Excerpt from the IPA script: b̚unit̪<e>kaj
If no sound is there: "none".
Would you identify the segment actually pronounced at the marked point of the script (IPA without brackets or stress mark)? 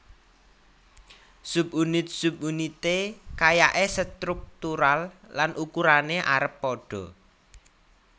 e